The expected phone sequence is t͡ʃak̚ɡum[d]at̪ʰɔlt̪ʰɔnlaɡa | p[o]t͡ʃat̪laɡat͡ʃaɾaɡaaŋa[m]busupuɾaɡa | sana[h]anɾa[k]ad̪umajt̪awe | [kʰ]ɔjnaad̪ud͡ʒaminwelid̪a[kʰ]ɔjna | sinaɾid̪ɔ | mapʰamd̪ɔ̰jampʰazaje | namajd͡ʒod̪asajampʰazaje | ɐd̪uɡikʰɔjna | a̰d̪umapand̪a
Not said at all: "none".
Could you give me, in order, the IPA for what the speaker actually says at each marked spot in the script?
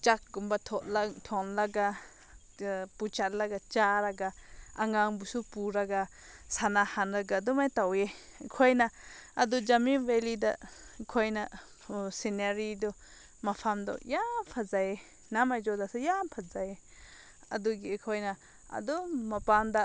b, u, ŋ, h, ɡ, kʰ, kʰ

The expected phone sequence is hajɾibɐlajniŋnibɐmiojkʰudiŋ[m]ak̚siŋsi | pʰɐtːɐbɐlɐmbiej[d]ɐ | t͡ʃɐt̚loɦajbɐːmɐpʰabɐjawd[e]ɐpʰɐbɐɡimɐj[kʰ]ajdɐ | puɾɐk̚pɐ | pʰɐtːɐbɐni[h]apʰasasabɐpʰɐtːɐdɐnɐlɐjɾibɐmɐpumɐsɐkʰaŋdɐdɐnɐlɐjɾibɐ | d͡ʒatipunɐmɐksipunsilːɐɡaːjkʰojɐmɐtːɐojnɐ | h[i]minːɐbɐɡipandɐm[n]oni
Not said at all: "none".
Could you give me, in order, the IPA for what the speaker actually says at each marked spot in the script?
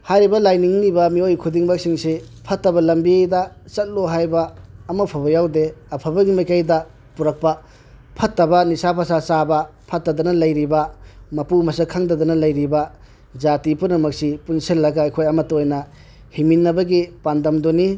b, d, e, k, s, i, d

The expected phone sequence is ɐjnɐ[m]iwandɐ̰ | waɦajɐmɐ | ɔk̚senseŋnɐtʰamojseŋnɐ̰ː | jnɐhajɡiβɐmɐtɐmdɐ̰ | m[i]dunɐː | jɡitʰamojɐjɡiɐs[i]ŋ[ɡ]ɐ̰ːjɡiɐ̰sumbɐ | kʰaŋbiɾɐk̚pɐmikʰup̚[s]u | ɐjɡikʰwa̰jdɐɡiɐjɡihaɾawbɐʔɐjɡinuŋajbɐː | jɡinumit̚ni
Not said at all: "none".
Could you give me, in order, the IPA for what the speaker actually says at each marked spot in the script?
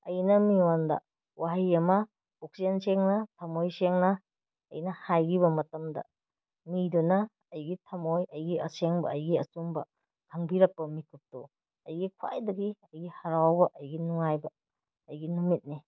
m, i, e, b, t

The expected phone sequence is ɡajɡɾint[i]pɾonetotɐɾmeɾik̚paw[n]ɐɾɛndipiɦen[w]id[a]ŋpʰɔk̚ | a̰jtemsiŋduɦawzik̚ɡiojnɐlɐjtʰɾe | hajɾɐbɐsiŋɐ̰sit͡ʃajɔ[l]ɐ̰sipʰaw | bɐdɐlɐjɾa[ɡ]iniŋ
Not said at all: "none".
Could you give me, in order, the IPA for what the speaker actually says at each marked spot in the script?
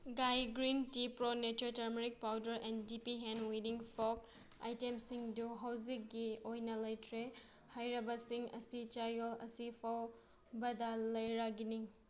i, d, w, i, l, ɡ

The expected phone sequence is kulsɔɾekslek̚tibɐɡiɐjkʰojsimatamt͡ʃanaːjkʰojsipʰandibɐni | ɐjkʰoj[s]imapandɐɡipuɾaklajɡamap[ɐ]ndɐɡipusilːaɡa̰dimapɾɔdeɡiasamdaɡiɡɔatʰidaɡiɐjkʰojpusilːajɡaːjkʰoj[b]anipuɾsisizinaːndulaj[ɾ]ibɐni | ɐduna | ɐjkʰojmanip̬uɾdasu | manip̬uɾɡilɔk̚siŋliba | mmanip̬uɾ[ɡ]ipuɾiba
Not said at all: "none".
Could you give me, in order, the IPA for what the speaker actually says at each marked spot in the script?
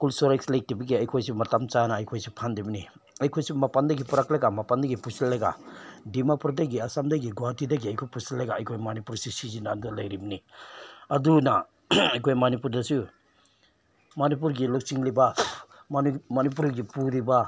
s, a, m, ɾ, ɡ

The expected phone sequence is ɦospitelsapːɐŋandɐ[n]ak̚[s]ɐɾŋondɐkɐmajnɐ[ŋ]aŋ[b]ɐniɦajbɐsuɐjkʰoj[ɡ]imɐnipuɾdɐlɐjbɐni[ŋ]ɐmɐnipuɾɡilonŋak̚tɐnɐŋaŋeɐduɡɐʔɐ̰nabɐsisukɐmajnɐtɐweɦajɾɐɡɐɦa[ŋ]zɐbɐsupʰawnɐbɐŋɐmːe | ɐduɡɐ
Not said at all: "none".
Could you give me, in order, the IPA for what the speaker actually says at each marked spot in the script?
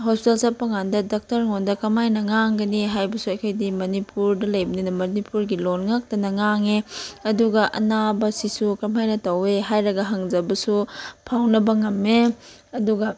d, t, ŋ, ɡ, d, n, ŋ

